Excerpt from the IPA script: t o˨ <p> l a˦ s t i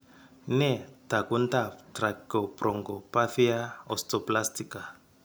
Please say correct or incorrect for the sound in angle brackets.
correct